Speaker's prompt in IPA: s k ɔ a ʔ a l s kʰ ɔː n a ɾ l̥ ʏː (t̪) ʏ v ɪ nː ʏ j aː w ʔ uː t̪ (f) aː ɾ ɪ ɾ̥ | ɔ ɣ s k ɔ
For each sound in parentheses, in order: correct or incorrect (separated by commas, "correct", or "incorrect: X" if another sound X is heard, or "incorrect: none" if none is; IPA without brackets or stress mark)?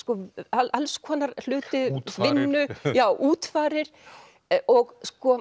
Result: correct, correct